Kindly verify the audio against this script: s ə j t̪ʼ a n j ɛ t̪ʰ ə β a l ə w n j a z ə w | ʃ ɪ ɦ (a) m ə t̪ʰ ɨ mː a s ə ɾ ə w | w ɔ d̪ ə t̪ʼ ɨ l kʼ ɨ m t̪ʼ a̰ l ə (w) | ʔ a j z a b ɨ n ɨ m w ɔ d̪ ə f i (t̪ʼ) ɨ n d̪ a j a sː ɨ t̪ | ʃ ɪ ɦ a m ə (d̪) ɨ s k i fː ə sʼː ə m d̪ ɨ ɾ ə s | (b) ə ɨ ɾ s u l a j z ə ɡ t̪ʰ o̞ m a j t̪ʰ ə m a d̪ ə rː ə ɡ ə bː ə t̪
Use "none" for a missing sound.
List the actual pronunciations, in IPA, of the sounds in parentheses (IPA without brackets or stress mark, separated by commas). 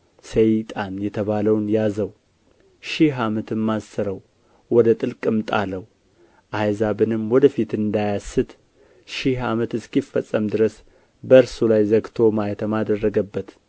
a, w, t̪, t̪, b